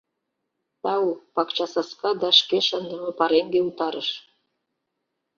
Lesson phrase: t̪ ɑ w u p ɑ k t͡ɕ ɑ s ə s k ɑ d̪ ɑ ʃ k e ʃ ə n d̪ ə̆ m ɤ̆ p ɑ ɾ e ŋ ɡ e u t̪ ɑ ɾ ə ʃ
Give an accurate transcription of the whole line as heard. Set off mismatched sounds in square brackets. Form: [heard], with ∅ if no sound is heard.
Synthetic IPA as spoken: t̪ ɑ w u p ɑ k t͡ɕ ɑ s [ɑ] s k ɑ d̪ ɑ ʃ k e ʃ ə n d̪ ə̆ m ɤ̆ p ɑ ɾ e ŋ ɡ e u t̪ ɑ ɾ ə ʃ